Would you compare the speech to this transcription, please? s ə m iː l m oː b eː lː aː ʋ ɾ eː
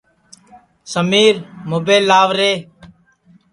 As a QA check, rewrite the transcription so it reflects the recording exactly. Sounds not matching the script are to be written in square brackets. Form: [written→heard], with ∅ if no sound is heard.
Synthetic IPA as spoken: s ə m iː [l→ɾ] m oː b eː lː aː ʋ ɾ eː